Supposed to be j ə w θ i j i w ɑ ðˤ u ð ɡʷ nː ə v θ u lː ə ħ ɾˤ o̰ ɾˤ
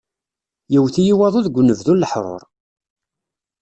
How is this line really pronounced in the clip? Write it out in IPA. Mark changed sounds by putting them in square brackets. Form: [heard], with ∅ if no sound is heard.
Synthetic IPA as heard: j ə w θ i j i w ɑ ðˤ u ð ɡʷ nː ə v [ð] u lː ə ħ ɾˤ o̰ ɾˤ